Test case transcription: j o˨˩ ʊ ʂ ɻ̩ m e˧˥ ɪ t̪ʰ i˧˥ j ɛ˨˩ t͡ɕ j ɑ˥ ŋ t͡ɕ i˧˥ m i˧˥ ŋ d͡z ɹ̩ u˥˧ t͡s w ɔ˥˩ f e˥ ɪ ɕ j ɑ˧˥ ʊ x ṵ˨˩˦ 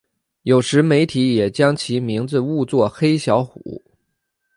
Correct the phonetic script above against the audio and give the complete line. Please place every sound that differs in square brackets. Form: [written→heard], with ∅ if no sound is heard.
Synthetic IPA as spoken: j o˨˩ ʊ ʂ ɻ̩ m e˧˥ ɪ t̪ʰ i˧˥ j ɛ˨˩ t͡ɕ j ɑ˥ ŋ [t͡ɕ→t͡ɕʰ] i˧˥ m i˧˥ ŋ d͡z ɹ̩ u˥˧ t͡s w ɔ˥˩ [f→x] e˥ ɪ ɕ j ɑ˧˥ ʊ x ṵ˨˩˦